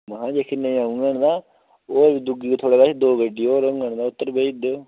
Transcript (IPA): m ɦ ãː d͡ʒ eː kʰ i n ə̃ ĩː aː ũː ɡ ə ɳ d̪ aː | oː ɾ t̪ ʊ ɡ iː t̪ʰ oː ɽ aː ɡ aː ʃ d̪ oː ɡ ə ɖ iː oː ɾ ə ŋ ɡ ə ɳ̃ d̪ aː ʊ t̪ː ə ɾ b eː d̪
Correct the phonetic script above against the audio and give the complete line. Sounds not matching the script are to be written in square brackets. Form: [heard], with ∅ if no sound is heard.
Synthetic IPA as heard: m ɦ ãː d͡ʒ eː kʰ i n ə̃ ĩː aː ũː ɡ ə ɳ d̪ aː | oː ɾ [d̪] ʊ ɡ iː t̪ʰ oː ɽ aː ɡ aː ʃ d̪ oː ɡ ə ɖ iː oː ɾ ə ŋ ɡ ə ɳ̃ d̪ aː ʊ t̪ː ə ɾ b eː d̪